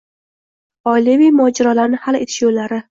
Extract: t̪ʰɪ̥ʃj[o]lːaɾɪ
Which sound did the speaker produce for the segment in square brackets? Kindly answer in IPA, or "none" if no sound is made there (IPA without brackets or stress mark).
o